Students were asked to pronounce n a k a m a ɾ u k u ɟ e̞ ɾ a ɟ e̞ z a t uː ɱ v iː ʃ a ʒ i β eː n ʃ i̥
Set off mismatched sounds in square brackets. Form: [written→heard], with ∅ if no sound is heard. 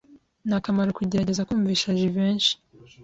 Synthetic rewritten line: n a k a m a ɾ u k u ɟ e̞ ɾ a ɟ e̞ z a [t→k] uː ɱ v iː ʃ a ʒ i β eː n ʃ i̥

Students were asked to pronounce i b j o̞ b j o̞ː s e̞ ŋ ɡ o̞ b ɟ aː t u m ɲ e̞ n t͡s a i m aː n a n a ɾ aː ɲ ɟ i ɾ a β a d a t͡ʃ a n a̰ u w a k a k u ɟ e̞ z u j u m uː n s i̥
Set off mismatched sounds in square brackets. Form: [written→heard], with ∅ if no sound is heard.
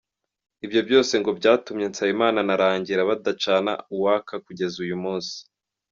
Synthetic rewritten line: i b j o̞ b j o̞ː s e̞ ŋ ɡ o̞ b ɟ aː t u m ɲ e̞ n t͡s a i m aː n a n a ɾ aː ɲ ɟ i ɾ a β a d a t͡ʃ a n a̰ u w a k a k u ɟ e̞ z u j u m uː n s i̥

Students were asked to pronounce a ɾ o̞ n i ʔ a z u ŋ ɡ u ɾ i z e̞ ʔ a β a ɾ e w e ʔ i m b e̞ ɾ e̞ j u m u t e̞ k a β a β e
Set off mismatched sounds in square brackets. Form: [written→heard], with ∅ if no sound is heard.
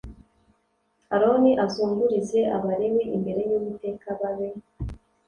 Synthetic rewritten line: a ɾ o̞ n i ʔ a z [u→uː] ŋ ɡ u ɾ i z e̞ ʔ a β a ɾ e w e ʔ i m b e̞ ɾ e̞ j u m u t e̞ k a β a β e

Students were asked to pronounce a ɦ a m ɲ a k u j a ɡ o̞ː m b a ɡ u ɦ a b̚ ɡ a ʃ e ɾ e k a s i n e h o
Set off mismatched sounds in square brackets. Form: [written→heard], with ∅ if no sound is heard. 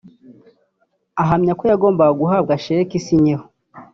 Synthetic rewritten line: a ɦ a m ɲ a k [u→o] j a ɡ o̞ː m b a ɡ u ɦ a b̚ ɡ a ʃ e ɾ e k [a→i] s i [n→ɲ] e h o

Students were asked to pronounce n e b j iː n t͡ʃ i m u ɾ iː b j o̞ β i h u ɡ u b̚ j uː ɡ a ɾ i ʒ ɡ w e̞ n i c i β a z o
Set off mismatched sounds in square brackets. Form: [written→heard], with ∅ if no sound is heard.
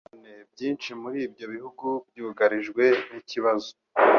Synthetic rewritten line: n e b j iː n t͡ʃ i m u ɾ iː b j o̞ β i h u ɡ u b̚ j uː ɡ a ɾ i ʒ ɡ w e̞ n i c i β a z o

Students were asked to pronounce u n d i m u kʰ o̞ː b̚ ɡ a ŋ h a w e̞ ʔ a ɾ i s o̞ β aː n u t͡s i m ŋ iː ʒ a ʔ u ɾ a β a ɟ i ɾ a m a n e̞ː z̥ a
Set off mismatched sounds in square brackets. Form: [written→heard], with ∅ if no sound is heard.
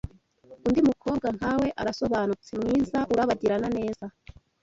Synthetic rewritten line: u n d i m u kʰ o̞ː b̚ ɡ a ŋ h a w e̞ ʔ a ɾ [i→a] s o̞ β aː n u t͡s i m ŋ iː [ʒ→z] a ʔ u ɾ a β a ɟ i ɾ a [m→n] a n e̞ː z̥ a

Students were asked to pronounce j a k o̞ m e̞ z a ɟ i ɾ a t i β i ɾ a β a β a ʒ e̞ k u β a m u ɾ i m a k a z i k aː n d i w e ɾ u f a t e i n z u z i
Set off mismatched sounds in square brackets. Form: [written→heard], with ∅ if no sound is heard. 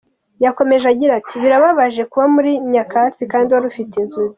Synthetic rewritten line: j a k o̞ m e̞ [z→ʒ] a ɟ i ɾ a t i β i ɾ a β a β a ʒ e̞ k u β a m u ɾ i [m→ɲ] a k a [z→s] i k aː n d i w [e→a] ɾ u f [a→i] t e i n z u z i

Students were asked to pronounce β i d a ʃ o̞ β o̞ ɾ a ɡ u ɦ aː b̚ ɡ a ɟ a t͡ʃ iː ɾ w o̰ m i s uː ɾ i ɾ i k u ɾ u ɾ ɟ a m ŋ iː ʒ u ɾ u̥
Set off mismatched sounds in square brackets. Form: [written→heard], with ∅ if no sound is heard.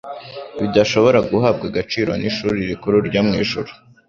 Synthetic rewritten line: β i d a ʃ o̞ β o̞ ɾ a ɡ u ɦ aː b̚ ɡ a [ɟ→ɡ] a t͡ʃ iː ɾ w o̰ [m→n] i [s→ʃ] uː ɾ i ɾ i k u ɾ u ɾ ɟ a m ŋ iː ʒ u ɾ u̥

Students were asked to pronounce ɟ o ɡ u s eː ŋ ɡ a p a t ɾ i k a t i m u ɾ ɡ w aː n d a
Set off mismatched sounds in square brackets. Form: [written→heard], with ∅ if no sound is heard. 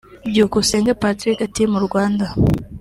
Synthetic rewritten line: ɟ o [ɡ→k] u s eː ŋ ɡ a p a t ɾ i k a t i m u ɾ ɡ w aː n d a

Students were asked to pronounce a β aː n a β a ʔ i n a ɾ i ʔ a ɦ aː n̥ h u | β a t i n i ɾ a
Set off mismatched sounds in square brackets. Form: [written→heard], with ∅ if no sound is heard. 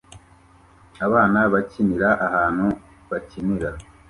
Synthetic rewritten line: a β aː n a β a [ʔ→c] i n [a→i] ɾ [i→a] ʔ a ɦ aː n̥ h u | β a [t→c] i n i ɾ a

